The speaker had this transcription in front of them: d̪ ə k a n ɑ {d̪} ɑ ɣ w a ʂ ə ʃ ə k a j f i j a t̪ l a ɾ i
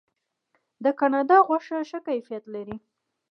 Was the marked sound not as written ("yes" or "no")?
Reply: no